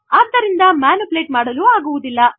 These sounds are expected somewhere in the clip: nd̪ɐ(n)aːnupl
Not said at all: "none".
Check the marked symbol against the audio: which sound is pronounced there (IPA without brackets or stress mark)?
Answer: m